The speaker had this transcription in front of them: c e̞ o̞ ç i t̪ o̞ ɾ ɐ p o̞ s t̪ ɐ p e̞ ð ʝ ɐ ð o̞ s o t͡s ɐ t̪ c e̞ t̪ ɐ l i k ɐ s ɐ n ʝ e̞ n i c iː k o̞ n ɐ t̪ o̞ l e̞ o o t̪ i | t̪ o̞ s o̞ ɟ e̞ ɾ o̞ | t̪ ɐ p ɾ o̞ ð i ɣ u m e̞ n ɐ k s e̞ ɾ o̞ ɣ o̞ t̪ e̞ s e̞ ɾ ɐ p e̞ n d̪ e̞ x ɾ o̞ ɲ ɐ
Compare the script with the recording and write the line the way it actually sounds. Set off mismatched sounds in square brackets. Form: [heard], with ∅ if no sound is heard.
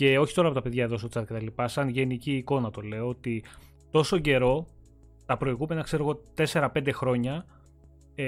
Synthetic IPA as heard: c e̞ o̞ ç i t̪ o̞ ɾ ɐ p o̞ [∅] t̪ ɐ p e̞ ð ʝ ɐ ð o̞ s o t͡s ɐ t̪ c e̞ t̪ ɐ l i [p] ɐ s ɐ n ʝ e̞ n i c iː k o̞ n ɐ t̪ o̞ l e̞ o o t̪ i | t̪ o̞ s o̞ ɟ e̞ ɾ o̞ | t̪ ɐ p ɾ o̞ [∅] i ɣ u m e̞ n ɐ k s e̞ ɾ o̞ ɣ o̞ t̪ e̞ s e̞ ɾ ɐ p e̞ n d̪ e̞ x ɾ o̞ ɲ ɐ